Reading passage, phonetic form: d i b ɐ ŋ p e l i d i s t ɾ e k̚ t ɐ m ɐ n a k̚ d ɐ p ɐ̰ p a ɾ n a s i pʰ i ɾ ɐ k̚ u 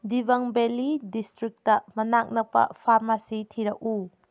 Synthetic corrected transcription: d i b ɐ ŋ b e l i d i s t ɾ i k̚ t ɐ m ɐ n a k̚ n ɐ p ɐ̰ pʰ a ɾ m a s i tʰ i ɾ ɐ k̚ u